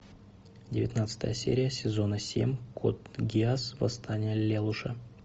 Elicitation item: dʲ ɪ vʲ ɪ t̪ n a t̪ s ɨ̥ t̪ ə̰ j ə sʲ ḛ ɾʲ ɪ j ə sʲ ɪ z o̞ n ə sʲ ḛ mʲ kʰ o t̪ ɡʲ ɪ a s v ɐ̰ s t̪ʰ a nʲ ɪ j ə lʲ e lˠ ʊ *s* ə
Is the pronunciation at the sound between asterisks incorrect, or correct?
incorrect